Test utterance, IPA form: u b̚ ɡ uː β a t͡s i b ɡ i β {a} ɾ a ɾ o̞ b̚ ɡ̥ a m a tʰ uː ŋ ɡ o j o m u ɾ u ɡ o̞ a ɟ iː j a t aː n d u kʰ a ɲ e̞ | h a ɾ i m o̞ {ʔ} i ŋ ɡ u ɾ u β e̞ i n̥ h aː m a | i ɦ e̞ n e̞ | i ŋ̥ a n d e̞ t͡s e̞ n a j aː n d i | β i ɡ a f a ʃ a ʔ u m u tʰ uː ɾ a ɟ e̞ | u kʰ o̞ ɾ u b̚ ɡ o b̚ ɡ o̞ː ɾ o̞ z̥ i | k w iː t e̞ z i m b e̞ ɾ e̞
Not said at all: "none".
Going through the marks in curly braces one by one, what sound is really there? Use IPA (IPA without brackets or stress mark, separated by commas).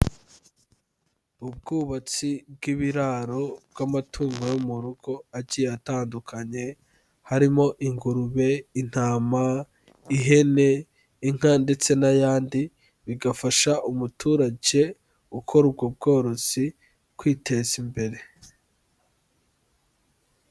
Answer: i, ʔ